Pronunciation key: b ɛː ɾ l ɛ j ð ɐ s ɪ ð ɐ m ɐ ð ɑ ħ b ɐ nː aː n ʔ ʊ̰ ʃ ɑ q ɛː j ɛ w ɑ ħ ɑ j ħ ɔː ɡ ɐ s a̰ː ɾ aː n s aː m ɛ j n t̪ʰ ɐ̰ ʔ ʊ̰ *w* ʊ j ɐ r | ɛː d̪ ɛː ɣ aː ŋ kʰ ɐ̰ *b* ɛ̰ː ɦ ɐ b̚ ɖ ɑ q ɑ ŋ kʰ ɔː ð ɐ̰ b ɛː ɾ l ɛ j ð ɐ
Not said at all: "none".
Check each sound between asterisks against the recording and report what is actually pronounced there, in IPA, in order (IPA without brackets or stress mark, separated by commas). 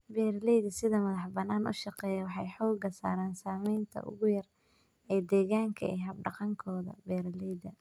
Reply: ɣ, none